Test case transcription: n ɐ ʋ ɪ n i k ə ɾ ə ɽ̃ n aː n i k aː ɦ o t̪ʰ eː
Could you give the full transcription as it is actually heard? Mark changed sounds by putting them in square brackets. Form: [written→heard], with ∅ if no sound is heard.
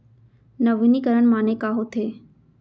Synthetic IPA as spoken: n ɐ ʋ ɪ n i k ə ɾ ə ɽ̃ [n→m] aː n [i→e] k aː ɦ o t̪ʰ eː